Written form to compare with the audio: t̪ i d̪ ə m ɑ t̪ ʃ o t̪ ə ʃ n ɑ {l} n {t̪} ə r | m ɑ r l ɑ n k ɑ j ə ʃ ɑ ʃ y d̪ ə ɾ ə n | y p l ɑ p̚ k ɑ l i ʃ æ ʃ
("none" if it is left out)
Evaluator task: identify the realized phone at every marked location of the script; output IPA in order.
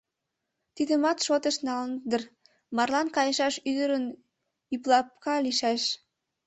l, d̪

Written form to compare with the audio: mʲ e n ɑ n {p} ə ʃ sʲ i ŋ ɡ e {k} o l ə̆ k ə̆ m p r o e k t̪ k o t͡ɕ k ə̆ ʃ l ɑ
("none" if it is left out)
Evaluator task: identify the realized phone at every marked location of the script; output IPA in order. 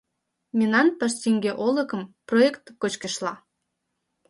p, ʔ

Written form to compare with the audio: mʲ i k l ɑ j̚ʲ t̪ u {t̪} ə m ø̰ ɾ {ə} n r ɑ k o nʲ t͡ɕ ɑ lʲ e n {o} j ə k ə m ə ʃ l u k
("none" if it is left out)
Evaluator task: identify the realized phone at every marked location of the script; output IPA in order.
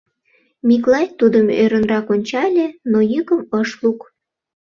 d̪, ə, o

